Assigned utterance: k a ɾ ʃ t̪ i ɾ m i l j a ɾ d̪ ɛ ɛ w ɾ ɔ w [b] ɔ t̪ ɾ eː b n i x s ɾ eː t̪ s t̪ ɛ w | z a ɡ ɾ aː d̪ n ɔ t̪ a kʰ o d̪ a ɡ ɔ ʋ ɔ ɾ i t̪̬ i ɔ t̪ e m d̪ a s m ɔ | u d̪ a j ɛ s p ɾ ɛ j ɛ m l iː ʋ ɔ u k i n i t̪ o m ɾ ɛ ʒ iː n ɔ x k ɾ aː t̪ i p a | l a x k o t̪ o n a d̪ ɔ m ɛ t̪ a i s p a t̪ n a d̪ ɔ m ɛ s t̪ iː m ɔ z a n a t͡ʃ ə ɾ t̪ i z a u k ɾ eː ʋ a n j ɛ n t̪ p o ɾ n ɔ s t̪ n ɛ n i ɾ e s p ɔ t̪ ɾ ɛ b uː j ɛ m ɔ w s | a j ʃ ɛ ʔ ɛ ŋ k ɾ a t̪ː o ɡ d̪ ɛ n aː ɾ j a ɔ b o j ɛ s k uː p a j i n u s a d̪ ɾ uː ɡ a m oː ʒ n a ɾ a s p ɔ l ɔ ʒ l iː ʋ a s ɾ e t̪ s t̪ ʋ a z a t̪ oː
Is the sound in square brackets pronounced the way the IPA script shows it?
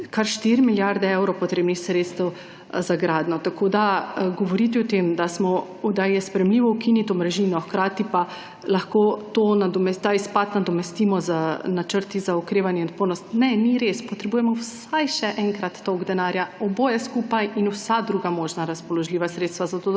no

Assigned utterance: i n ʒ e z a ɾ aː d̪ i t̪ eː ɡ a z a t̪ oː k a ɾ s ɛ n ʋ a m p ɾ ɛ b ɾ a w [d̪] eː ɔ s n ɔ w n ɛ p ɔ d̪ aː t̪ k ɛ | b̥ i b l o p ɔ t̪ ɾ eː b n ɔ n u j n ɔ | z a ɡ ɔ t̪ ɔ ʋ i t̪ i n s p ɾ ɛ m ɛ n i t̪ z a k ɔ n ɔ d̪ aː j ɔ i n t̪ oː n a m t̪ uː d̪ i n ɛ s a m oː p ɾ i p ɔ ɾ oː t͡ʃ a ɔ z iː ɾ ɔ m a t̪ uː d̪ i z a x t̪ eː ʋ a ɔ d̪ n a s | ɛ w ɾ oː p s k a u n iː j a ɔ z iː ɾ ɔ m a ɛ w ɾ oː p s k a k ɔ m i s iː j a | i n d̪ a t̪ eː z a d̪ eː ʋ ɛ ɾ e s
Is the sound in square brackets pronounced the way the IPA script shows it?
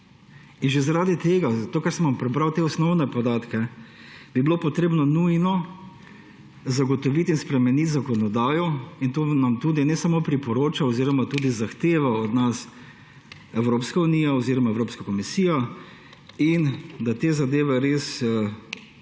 no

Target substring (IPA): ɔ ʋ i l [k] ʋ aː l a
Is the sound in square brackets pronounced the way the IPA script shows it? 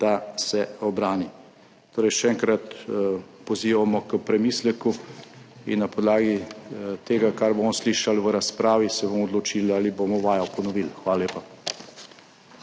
no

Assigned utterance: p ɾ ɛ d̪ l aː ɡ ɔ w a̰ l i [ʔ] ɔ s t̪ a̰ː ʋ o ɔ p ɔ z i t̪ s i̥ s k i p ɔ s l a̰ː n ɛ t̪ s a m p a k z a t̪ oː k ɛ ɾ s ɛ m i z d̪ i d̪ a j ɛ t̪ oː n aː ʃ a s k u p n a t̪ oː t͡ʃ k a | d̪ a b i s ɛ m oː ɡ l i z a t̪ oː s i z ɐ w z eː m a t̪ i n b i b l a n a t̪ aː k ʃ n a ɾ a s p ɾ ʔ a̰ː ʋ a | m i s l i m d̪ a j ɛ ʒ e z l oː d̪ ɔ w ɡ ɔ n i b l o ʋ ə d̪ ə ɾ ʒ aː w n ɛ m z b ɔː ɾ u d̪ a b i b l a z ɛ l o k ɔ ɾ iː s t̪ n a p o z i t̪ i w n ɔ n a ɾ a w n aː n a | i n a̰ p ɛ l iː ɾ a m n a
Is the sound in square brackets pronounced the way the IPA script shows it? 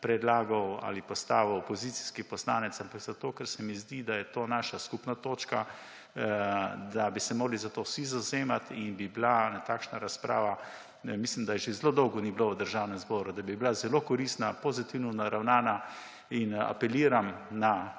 no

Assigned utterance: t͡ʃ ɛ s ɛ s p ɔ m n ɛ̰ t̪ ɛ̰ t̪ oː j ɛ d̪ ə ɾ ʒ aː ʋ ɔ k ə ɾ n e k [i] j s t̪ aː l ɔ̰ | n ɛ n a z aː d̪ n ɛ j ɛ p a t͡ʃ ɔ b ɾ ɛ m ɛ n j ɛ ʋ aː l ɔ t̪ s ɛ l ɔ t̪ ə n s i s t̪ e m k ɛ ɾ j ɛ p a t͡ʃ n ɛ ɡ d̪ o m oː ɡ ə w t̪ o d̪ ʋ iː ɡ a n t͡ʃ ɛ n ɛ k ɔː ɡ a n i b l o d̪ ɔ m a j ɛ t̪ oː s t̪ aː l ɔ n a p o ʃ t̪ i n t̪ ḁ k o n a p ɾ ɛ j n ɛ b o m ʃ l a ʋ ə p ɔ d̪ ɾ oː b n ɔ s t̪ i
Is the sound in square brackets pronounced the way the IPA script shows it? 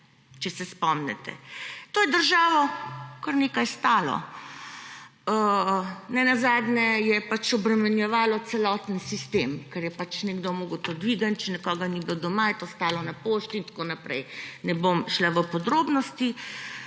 no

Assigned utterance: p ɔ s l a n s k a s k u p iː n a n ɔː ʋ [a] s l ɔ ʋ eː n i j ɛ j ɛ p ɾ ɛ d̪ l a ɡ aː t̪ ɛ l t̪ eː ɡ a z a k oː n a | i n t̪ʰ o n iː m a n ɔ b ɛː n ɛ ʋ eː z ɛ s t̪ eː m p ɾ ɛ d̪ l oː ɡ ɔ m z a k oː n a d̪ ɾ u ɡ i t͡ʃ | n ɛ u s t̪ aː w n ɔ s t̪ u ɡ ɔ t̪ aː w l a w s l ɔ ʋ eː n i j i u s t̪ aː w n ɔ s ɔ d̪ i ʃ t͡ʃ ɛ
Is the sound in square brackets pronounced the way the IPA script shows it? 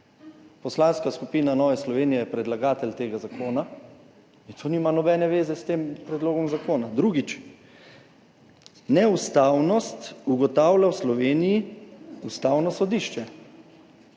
no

